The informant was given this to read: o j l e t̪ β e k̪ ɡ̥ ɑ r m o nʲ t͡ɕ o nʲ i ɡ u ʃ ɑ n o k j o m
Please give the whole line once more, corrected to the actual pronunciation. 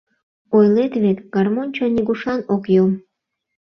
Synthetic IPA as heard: o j l e t̪ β e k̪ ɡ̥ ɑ r m o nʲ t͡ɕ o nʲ i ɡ u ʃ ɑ n o k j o m